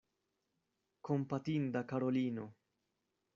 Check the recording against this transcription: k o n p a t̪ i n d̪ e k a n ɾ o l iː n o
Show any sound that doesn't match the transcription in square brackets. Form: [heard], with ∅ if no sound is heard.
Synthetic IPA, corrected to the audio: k o [m] p a t̪ i n d̪ [a] k a [∅] ɾ o l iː n o